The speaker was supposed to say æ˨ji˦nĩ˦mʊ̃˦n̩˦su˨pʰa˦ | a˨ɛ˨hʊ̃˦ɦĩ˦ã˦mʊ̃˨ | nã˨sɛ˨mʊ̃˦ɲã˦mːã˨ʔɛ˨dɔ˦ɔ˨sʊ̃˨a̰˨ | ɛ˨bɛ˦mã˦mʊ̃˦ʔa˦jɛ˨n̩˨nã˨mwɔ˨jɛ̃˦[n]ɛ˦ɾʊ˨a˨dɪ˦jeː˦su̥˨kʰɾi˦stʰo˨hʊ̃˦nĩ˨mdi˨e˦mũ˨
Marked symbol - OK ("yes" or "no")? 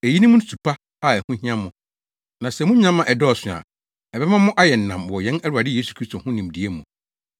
yes